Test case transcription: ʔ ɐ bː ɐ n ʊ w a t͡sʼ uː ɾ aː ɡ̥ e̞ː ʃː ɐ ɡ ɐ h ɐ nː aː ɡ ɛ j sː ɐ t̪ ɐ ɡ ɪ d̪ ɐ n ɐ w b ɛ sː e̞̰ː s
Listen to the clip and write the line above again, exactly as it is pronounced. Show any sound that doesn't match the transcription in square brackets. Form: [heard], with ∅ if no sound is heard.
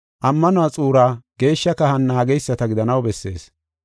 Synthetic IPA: ʔ ɐ [mː] ɐ n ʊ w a t͡sʼ uː ɾ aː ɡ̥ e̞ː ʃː ɐ [k] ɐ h ɐ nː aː ɡ ɛ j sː ɐ t̪ ɐ ɡ ɪ d̪ ɐ n ɐ w b ɛ sː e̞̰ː s